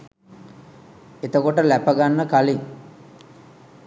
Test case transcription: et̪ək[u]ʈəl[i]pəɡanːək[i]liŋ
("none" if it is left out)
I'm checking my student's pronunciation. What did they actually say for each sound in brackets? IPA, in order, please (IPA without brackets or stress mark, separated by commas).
o, æ, a